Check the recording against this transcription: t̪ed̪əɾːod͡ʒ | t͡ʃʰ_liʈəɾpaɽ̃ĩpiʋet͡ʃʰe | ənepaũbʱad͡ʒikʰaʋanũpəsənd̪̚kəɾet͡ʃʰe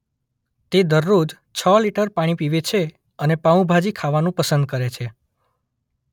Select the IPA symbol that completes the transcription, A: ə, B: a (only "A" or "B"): A